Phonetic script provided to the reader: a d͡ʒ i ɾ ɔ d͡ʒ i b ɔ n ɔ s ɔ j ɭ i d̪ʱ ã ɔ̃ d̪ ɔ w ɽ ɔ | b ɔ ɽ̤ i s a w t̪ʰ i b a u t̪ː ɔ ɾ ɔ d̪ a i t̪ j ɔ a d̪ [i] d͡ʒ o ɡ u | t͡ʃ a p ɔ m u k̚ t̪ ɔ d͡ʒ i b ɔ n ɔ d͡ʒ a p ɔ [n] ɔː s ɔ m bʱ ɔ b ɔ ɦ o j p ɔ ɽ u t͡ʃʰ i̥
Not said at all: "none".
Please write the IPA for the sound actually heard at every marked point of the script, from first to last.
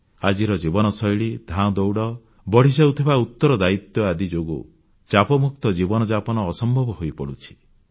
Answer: i, n

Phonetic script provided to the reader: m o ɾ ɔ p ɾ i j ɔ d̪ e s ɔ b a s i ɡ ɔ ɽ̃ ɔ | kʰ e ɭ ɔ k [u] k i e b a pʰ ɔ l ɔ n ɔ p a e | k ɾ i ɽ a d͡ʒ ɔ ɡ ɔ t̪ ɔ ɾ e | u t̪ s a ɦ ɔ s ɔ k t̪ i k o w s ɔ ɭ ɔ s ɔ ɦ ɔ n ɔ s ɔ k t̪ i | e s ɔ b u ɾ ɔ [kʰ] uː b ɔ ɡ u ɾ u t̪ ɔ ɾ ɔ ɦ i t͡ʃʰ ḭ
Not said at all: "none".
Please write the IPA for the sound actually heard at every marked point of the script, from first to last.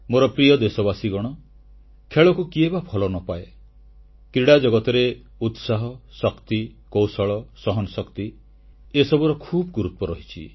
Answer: u, kʰ

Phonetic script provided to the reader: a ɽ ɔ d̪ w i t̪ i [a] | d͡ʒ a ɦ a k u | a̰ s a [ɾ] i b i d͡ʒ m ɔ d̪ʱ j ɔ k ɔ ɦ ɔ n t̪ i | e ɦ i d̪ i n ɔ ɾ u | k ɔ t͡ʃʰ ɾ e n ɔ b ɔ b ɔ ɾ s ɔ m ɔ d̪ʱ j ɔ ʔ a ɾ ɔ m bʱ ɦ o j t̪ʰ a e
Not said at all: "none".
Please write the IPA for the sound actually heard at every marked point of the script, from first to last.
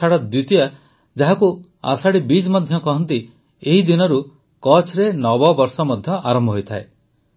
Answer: a, ɽ

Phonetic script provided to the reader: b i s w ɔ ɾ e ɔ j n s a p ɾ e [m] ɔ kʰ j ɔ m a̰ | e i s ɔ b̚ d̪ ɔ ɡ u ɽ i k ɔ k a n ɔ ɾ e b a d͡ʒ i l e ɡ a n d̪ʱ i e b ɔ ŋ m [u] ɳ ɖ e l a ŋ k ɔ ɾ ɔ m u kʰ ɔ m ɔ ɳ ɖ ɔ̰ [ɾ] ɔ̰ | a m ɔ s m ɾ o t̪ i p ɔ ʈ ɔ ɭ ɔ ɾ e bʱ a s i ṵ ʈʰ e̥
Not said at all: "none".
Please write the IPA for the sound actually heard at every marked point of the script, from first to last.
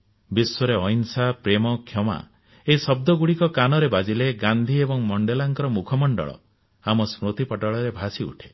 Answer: m, ɔ, ɭ

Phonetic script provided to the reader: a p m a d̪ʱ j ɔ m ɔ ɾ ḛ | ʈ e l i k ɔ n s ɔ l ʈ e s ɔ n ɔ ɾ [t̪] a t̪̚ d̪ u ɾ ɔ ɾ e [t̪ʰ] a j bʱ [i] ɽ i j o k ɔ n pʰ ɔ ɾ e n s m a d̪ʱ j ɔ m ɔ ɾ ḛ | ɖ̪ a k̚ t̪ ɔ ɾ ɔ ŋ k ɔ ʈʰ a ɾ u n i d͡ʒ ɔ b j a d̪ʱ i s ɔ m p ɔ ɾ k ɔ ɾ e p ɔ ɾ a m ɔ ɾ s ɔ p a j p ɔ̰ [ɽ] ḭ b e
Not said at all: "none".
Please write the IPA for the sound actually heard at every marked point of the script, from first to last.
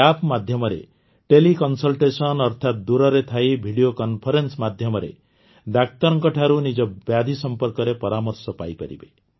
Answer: t̪ʰ, t̪ʰ, i, ɾ

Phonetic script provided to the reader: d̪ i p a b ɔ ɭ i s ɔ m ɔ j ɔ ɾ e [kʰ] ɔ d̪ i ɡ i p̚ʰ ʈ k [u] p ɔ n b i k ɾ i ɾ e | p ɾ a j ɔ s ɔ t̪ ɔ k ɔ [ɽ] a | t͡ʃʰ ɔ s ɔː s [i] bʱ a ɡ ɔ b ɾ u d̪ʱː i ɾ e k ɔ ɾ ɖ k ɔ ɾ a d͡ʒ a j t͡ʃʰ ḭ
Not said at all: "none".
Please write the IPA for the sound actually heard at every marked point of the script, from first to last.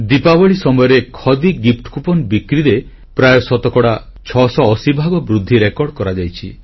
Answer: kʰ, u, ɽ, i

